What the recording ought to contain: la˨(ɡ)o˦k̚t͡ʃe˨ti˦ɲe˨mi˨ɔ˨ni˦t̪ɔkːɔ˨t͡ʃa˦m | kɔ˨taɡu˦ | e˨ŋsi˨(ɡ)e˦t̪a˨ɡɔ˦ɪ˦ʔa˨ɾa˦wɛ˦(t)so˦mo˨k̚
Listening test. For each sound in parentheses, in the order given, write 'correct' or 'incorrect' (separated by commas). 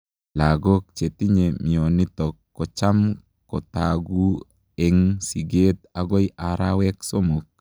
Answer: correct, correct, incorrect